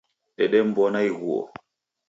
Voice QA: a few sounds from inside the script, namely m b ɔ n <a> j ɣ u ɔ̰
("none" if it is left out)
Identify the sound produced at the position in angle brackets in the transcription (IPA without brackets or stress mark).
a